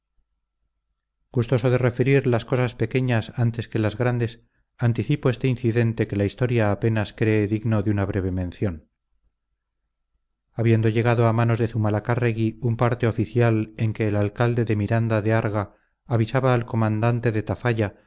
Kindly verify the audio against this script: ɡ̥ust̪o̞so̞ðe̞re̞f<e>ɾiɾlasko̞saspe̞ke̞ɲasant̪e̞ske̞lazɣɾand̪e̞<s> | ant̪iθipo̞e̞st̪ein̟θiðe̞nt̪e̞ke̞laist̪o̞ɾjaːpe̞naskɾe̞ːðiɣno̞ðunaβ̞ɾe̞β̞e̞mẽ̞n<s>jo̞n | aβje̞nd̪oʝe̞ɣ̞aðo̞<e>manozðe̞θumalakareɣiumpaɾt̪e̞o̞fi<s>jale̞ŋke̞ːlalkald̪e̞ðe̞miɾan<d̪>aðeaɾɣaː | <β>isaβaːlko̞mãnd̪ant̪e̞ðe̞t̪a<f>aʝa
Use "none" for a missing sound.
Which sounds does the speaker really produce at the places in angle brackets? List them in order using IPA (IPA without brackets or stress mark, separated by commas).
e, s, θ, a, θ, d̪, β, f